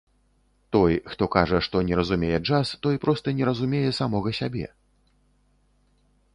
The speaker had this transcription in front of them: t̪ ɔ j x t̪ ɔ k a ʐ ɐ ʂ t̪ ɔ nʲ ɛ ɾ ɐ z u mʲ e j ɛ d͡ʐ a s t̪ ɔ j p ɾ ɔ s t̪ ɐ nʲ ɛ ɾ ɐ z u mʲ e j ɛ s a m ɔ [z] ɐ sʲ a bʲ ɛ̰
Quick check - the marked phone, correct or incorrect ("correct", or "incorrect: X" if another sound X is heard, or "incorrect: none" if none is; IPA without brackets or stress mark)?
incorrect: ɣ